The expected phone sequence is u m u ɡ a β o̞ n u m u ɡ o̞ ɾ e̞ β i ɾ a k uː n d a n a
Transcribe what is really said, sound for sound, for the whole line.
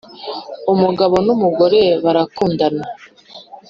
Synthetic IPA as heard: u m u ɡ a β o̞ n u m u ɡ o̞ ɾ e̞ β a ɾ a k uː n d a n a